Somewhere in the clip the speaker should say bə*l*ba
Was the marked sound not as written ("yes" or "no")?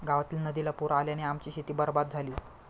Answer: yes